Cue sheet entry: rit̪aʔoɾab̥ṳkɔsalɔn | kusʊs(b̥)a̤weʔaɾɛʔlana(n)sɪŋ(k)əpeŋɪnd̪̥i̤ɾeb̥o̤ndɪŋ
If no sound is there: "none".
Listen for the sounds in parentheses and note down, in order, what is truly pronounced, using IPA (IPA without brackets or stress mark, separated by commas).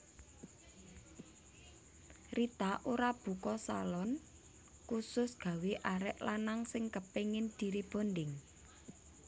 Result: ɡ̥, ŋ, k